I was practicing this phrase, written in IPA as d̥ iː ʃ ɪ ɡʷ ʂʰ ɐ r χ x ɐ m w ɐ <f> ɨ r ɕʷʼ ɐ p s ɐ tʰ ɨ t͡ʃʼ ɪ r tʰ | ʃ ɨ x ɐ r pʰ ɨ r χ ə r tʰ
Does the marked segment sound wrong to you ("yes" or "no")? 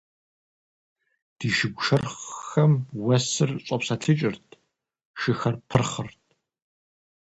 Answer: yes